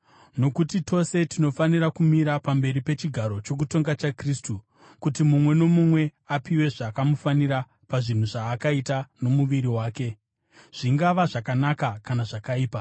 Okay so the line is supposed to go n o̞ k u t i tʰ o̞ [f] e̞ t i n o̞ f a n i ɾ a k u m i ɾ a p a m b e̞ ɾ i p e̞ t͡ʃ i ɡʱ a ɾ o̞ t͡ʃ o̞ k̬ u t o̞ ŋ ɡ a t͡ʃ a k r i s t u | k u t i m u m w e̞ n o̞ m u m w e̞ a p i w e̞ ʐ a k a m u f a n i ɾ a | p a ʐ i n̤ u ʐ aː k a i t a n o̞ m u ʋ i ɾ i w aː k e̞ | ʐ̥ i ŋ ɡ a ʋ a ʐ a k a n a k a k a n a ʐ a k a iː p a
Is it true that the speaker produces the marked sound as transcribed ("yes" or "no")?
no